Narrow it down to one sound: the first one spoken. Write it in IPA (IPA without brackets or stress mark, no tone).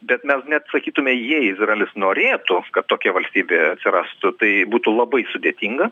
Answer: bʲ